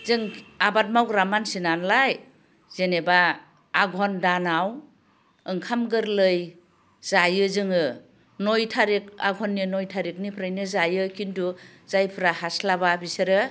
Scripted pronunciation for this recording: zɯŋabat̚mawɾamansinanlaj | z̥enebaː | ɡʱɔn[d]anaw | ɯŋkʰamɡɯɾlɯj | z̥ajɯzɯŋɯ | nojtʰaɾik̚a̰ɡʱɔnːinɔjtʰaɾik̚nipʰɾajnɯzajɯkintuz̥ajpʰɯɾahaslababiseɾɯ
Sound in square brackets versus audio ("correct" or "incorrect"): correct